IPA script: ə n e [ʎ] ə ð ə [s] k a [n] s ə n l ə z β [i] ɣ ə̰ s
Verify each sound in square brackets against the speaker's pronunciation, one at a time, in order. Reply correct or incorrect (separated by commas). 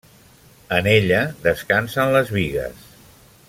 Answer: correct, correct, correct, correct